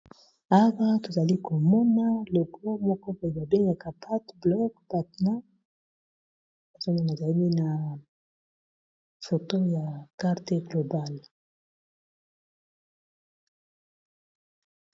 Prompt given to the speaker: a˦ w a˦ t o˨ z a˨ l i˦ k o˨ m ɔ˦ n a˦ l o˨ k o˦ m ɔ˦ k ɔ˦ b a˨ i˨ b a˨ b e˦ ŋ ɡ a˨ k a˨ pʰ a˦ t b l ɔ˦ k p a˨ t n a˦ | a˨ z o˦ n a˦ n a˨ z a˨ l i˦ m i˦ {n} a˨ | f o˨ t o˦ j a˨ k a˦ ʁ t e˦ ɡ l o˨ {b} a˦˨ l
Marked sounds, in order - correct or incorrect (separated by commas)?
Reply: correct, correct